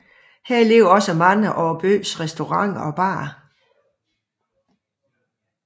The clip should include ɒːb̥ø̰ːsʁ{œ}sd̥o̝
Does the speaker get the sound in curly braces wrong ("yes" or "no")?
yes